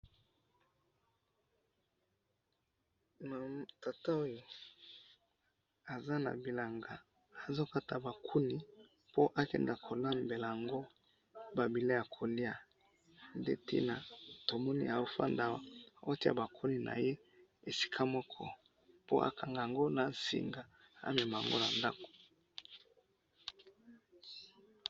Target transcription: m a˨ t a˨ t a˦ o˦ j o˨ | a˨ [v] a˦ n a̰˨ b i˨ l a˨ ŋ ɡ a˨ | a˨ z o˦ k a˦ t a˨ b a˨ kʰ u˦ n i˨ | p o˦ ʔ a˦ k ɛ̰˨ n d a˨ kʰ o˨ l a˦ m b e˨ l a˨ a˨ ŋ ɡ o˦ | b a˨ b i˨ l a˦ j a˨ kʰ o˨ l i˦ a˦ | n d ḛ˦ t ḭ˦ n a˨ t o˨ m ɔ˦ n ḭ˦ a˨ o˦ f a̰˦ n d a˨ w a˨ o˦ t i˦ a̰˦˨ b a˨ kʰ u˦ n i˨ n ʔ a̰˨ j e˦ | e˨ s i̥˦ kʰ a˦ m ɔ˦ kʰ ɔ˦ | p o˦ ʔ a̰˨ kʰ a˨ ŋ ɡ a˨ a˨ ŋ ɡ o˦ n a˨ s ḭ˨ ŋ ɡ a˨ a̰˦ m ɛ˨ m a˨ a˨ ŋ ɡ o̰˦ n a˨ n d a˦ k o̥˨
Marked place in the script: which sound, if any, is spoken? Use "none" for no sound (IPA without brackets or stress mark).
z